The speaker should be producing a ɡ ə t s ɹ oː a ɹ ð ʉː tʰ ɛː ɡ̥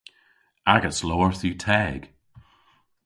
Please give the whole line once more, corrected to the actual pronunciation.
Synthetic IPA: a ɡ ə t s l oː ə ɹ θ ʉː tʰ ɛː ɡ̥

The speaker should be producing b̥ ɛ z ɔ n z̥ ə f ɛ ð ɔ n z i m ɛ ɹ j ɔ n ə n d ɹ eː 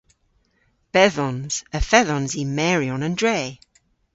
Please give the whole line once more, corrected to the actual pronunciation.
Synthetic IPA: b̥ ɛ ð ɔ n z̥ ə f ɛ ð ɔ n z i m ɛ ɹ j ɔ n ə n d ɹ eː

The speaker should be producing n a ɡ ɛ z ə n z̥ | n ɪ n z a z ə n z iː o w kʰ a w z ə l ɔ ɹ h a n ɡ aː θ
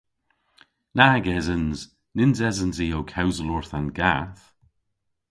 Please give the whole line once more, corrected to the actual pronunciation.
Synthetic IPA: n a ɡ ɛ z ə n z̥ | n ɪ n z ɛ z ə n z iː o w kʰ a w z ə l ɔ ɹ θ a n ɡ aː θ

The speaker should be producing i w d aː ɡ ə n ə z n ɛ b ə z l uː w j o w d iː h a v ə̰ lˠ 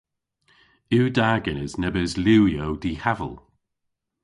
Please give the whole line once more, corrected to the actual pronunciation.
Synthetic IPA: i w d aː ɡ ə n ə z n ɛ b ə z l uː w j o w d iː h a v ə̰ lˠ

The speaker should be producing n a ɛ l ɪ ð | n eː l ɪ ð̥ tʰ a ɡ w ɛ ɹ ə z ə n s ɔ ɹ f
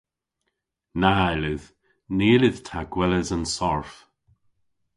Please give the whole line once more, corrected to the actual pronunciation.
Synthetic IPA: n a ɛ l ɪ ð | n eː l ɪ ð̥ tʰ a ɡ w ɛ l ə z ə n s ɔ ɹ f

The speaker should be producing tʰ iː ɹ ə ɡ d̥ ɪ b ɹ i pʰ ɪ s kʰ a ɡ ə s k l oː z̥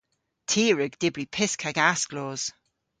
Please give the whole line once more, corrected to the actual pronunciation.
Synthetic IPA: tʰ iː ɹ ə ɡ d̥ ɪ b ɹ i pʰ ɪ s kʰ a ɡ a s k l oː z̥

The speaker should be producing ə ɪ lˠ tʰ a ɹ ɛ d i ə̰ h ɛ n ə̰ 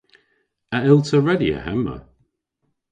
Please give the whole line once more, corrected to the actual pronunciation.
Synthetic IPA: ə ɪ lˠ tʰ ə ɹ ɛ d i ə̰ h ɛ m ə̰

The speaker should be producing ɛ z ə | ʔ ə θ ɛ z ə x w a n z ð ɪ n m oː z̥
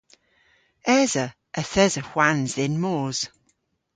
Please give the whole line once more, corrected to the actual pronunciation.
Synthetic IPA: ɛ z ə | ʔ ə θ ɛ z ə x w a n z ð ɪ n m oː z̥

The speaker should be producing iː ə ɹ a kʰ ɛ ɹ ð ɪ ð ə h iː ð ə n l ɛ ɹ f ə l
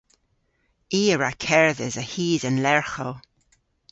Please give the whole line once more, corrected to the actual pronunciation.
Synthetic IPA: iː ə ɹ a kʰ ɛ ɹ ð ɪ z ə h iː z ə n l ɛ ɹ x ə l

